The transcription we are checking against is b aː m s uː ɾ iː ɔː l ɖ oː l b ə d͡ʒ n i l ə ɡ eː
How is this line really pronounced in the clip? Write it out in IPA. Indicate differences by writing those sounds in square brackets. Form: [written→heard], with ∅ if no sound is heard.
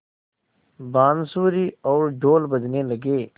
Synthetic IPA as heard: b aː [m→n] s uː ɾ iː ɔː [l→ɾ] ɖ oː l b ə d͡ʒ n [i→e] l ə ɡ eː